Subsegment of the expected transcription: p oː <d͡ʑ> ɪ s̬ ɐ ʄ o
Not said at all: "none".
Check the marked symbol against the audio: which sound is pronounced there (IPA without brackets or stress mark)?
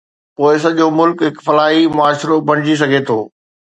none